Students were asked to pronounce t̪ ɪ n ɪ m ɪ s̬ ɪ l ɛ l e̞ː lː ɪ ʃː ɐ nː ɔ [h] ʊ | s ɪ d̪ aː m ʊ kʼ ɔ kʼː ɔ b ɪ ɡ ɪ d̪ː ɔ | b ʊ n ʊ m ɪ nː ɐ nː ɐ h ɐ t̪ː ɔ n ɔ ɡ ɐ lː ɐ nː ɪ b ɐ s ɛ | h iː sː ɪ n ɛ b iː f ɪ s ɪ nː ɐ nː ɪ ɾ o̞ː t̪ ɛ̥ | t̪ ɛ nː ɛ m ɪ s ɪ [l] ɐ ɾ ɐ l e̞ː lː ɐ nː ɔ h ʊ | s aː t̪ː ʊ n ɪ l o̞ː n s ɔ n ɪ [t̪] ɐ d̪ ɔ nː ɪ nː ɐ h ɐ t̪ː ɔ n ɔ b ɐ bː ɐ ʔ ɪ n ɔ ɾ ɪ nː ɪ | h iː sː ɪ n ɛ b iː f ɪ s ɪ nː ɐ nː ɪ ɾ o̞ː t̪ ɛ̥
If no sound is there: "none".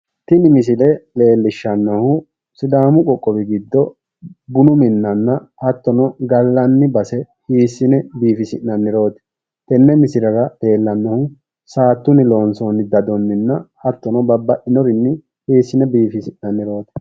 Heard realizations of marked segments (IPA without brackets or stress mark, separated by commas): h, ɾ, d̪